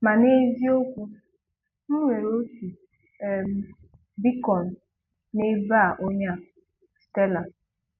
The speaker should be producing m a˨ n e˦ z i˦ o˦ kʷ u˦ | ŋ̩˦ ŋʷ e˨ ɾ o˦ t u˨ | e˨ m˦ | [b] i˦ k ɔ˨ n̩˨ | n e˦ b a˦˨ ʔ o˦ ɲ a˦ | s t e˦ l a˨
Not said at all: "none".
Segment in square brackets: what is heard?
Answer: b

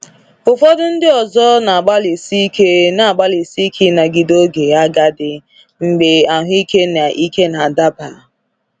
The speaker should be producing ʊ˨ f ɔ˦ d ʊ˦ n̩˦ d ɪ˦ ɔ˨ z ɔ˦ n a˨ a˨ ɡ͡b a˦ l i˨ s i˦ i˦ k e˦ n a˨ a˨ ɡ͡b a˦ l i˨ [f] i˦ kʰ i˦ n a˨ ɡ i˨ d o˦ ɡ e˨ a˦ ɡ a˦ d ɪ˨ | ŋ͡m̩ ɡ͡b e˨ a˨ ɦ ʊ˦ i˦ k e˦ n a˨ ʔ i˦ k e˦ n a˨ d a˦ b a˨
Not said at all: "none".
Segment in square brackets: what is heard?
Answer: s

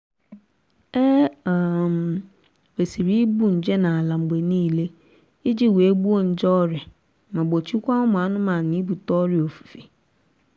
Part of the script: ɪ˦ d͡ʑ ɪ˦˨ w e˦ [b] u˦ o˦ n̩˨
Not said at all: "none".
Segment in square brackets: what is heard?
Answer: b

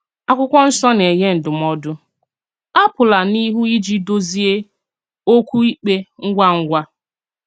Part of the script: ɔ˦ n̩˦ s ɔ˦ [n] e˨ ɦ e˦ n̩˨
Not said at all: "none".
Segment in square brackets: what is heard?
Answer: n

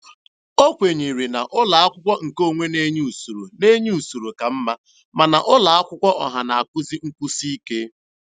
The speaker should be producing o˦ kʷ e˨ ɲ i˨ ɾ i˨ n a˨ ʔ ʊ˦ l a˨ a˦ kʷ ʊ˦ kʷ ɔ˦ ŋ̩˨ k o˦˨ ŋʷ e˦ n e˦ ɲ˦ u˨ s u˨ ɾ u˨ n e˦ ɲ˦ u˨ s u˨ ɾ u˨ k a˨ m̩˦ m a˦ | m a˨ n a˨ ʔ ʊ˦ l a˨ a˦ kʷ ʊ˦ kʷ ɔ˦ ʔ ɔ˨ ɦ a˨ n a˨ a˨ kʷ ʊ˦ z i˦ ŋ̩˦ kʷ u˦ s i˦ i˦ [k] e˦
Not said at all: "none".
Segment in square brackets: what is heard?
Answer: k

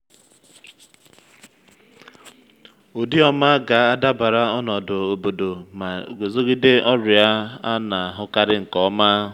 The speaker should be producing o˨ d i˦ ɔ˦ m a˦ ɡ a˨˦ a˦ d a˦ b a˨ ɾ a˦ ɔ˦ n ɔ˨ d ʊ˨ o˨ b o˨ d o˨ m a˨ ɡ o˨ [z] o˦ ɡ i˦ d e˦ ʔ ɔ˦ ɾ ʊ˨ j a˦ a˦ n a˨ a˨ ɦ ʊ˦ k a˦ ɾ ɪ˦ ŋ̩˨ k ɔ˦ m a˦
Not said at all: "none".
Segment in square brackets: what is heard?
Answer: z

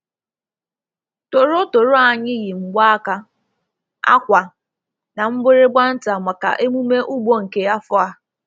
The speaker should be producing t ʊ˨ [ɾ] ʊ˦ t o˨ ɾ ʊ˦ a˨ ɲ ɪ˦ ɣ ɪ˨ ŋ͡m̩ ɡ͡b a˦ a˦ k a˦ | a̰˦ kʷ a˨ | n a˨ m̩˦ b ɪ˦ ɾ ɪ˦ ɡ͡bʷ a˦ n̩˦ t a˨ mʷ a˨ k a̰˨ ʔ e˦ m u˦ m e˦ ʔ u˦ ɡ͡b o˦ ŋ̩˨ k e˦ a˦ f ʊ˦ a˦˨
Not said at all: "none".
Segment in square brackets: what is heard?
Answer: ɾ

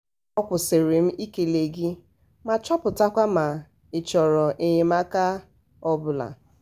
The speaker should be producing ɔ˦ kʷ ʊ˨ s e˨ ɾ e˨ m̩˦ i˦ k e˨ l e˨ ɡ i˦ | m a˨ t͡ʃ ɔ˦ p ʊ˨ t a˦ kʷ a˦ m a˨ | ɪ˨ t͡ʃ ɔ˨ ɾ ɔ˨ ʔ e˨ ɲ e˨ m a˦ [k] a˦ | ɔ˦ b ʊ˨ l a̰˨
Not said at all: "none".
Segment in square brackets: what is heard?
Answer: k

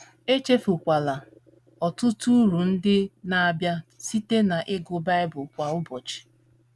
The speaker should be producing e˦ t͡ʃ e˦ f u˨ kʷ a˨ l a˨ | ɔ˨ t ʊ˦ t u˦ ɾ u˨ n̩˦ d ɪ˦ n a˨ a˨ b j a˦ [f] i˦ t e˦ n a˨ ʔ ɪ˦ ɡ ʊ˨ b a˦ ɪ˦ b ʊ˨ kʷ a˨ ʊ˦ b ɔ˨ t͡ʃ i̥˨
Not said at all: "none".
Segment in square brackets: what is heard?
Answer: s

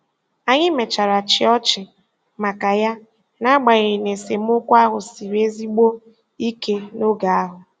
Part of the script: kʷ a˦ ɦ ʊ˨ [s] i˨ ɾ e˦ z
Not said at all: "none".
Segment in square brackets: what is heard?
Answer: s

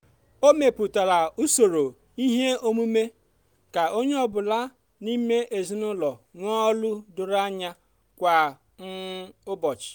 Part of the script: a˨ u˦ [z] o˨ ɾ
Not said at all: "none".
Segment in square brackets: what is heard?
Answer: s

